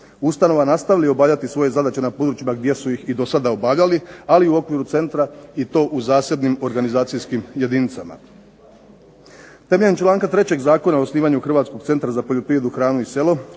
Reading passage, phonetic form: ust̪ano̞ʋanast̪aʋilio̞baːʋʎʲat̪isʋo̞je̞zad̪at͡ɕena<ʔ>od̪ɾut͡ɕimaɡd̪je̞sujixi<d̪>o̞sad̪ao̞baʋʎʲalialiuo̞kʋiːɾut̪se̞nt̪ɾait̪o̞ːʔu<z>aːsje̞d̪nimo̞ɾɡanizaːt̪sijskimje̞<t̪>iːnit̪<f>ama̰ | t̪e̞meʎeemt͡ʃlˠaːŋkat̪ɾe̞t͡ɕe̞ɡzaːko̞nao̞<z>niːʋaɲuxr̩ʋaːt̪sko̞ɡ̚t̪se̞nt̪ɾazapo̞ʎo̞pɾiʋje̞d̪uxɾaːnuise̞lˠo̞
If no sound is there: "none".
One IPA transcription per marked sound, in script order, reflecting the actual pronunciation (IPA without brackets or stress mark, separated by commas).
p, d̪, z, d̪, s, s